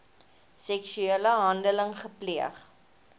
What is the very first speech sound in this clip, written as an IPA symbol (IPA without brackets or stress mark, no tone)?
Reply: s